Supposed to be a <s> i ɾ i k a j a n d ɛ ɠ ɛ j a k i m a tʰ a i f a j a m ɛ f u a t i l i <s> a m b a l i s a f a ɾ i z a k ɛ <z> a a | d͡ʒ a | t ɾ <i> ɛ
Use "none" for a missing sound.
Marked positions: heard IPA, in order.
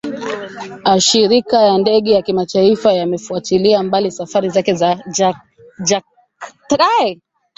ʃ, none, z, a

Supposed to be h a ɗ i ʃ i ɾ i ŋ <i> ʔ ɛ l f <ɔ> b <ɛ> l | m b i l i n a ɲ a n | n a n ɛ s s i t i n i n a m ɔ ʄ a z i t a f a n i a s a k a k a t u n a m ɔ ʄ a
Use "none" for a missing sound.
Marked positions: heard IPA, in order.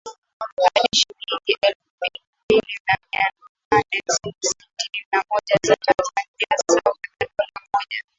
i, u, i

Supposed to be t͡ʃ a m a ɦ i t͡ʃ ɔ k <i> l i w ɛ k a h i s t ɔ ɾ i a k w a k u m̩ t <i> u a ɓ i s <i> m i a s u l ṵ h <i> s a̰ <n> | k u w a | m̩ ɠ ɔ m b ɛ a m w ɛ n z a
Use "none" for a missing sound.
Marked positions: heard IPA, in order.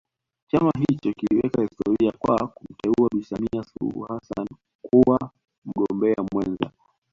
i, ɛ, a, a, n

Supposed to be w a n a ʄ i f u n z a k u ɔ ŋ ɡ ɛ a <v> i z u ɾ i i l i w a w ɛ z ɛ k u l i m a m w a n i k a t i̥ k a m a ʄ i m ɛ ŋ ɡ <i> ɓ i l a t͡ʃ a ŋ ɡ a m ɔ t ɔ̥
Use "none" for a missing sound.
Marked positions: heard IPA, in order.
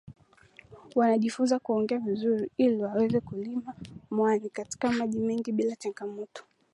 v, i

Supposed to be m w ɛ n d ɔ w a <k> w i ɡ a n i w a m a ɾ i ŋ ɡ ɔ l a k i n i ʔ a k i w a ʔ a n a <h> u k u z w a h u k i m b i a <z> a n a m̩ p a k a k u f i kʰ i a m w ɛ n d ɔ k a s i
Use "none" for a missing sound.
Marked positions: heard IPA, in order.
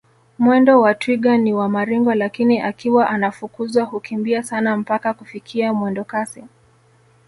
t, f, s

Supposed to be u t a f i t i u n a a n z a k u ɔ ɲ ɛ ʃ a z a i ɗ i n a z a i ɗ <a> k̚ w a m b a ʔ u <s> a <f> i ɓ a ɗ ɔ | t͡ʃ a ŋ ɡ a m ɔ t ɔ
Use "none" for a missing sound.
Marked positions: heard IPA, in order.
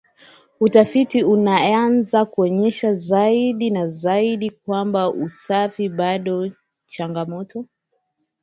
i, s, f

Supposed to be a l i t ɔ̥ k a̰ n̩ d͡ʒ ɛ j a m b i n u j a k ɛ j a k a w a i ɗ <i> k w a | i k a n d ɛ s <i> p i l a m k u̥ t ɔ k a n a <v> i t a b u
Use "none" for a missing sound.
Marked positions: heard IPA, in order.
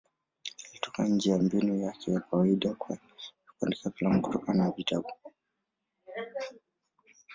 a, a, v

